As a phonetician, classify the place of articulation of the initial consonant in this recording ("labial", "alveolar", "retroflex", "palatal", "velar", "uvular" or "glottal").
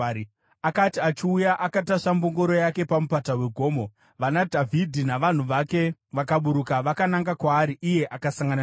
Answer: velar